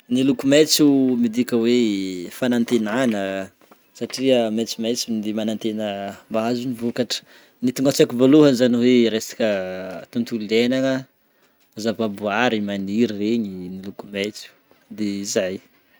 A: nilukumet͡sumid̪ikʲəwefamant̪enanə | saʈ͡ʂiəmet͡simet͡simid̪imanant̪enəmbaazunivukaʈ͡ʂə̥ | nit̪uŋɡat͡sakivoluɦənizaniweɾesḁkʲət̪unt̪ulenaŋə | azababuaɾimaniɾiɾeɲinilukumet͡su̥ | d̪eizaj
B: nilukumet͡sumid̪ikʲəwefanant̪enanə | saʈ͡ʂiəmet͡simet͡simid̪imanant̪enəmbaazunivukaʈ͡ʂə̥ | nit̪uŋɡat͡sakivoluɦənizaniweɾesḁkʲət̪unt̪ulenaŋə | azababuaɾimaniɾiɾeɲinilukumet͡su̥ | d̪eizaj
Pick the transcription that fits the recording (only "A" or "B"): B